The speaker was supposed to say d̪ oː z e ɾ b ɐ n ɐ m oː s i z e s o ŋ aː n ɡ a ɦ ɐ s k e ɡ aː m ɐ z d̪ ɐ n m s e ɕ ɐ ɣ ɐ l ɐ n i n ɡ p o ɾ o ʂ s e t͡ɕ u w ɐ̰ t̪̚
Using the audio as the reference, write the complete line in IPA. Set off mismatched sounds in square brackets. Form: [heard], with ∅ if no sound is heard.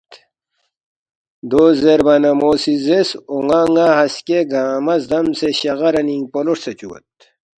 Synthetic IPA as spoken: d̪ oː z e ɾ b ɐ n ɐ m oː s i z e s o ŋ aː [ŋ] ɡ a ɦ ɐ s k e ɡ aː m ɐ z d̪ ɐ [∅] m s e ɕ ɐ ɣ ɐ [ɾ] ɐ n i [ŋ] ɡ p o [l] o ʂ s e t͡ɕ u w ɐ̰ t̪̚